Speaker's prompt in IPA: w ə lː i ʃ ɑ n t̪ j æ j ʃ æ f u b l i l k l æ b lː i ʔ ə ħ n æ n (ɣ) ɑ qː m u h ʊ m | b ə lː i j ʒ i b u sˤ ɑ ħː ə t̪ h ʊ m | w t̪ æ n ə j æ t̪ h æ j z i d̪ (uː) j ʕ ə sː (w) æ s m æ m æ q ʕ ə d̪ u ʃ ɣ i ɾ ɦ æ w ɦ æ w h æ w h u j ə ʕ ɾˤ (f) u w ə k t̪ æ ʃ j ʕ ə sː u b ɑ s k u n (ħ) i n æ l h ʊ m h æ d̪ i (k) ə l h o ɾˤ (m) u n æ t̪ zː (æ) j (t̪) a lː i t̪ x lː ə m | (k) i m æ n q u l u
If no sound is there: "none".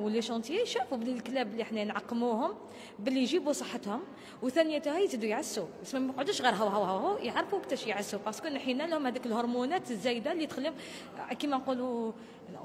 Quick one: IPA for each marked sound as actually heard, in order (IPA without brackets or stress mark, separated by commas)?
ʕ, u, u, f, ħ, k, m, æ, d̪, k